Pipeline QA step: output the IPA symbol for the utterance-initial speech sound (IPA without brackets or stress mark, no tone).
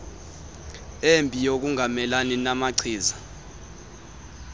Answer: e